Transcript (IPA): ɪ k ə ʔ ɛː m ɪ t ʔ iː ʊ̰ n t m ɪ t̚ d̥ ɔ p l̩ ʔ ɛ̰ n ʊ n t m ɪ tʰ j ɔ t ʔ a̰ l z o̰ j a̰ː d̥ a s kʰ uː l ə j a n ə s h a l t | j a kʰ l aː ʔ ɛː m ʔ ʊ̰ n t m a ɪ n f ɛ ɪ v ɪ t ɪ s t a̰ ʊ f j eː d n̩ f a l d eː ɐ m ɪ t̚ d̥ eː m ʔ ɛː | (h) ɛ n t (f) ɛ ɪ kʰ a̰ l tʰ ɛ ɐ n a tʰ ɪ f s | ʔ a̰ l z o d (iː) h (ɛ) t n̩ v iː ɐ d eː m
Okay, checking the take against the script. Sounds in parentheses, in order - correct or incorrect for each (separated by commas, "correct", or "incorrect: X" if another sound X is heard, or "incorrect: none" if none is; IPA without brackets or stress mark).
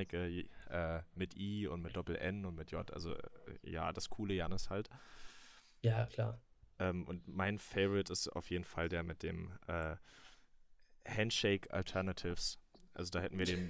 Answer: correct, incorrect: ʃ, incorrect: aː, correct